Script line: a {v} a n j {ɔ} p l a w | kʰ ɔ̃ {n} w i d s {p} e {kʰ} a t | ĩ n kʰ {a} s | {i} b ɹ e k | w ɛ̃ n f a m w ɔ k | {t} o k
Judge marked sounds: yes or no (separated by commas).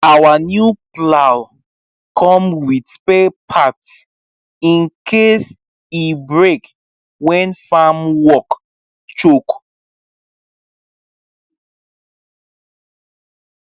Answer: no, no, no, yes, no, no, yes, no